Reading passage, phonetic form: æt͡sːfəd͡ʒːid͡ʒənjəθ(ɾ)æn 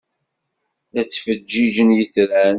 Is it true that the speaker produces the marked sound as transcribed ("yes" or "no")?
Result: yes